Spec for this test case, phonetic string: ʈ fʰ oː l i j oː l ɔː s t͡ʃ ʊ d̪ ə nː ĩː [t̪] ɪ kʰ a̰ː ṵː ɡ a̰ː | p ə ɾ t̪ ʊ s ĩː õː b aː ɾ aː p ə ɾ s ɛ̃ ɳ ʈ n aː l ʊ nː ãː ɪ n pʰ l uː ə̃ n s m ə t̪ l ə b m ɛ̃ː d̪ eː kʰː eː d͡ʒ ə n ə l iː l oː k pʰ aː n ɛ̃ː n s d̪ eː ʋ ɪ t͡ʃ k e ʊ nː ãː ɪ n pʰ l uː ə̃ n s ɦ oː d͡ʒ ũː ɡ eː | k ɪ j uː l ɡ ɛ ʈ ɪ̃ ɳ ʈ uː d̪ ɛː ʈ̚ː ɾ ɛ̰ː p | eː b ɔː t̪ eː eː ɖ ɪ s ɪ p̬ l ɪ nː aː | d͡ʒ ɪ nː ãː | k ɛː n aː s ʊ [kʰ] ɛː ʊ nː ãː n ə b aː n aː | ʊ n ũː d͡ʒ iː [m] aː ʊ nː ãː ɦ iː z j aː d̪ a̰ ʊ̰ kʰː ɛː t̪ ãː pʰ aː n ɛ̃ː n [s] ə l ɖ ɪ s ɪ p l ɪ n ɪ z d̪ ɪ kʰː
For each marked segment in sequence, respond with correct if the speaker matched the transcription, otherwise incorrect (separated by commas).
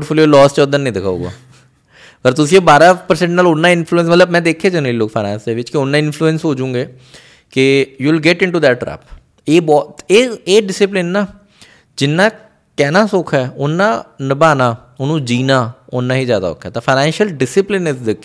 incorrect, correct, incorrect, incorrect